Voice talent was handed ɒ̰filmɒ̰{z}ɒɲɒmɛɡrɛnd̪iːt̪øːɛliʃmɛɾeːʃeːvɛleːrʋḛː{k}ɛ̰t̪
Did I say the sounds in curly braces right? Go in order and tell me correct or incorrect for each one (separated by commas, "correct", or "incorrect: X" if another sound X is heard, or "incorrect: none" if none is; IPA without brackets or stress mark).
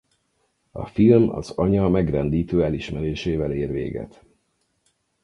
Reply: correct, incorrect: ɡ